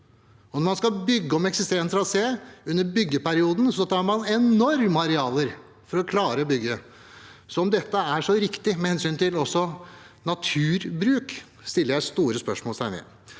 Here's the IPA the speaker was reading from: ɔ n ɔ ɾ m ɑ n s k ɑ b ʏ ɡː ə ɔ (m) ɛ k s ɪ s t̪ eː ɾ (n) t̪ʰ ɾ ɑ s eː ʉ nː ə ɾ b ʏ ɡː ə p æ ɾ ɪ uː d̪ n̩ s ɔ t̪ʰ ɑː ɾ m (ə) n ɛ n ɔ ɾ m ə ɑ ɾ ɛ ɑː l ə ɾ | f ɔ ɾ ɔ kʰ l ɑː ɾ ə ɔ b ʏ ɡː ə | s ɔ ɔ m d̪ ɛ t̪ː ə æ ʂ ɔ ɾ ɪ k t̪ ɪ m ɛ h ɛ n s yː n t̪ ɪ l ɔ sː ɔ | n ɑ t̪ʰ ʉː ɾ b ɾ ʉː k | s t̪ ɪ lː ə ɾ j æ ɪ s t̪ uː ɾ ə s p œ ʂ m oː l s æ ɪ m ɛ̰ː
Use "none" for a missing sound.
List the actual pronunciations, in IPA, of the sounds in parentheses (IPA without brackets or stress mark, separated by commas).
m, n, ɑ